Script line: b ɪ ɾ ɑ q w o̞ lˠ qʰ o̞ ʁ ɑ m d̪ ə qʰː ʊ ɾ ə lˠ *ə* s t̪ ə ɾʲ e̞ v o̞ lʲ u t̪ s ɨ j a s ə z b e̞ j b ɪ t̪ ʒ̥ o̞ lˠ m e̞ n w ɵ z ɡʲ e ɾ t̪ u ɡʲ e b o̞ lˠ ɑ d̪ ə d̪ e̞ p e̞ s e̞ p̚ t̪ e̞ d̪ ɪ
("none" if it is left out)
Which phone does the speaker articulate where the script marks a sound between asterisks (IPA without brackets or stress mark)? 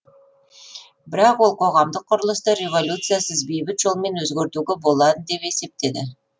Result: ə